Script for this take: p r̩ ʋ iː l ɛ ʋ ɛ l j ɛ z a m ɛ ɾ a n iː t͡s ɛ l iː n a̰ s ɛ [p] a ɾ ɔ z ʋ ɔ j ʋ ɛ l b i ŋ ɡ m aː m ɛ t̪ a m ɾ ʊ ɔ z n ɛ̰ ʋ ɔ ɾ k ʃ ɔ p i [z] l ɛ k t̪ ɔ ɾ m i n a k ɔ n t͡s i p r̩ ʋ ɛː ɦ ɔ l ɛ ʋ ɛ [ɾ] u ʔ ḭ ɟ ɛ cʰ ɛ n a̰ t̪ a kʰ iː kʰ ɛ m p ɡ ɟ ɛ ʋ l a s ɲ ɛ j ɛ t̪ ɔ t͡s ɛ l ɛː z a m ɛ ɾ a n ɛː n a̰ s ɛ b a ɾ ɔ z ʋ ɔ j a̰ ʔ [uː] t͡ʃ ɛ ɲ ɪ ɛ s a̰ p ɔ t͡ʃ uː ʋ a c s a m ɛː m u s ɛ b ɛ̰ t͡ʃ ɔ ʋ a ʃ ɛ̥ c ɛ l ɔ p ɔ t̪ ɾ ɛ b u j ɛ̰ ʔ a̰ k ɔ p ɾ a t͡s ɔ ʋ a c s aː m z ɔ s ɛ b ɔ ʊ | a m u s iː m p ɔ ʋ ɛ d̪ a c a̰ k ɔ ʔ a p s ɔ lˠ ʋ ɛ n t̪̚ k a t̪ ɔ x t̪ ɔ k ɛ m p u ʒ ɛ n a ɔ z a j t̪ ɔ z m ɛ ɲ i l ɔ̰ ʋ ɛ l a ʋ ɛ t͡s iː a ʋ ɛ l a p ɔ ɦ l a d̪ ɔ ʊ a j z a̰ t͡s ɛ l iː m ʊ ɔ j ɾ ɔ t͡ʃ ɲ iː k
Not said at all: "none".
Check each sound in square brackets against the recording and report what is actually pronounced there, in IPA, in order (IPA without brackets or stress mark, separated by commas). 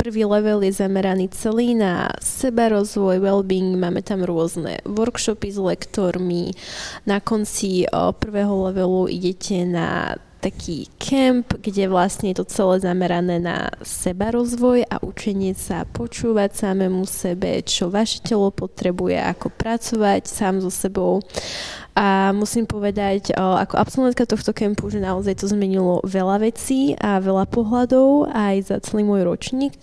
b, z, l, u